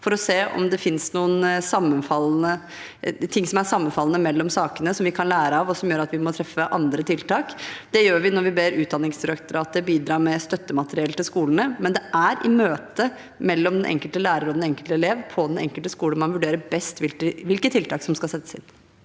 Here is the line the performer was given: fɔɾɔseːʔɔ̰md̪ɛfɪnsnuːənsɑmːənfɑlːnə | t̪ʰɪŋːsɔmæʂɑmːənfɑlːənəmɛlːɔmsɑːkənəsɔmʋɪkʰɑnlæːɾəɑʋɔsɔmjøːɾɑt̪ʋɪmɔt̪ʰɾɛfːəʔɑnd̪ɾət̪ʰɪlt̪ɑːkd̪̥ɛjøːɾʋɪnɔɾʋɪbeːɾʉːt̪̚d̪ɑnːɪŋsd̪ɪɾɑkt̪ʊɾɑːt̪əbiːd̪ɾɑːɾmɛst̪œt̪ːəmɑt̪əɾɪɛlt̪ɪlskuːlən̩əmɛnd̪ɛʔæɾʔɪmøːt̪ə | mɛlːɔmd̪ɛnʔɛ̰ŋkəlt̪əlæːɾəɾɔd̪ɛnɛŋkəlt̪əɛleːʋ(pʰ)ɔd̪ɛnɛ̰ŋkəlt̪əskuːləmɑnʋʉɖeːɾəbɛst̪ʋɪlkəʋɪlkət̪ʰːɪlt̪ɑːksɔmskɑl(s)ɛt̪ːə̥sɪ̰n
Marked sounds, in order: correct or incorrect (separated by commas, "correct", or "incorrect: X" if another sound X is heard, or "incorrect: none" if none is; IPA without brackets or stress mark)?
correct, correct